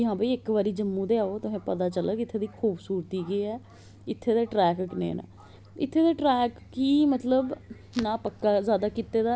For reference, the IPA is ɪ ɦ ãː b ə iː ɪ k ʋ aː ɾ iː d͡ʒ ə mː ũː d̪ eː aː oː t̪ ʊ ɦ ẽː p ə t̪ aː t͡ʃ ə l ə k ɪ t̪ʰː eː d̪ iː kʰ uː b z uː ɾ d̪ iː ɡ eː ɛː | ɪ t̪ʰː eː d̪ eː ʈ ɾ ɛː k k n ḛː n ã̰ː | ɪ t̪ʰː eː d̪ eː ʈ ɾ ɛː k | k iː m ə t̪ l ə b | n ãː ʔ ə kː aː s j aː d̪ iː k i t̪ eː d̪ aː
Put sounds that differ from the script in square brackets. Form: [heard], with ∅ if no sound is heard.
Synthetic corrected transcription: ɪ ɦ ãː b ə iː ɪ k ʋ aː ɾ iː d͡ʒ ə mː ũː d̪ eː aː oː t̪ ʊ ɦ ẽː p ə t̪ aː t͡ʃ ə l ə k ɪ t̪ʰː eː d̪ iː kʰ uː b [s] uː ɾ [t̪] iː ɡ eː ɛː | ɪ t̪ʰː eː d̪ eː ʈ ɾ ɛː k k n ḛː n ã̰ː | ɪ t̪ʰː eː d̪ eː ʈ ɾ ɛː k | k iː m ə t̪ l ə b | n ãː [p] ə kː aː [z] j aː d̪ [aː] k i t̪ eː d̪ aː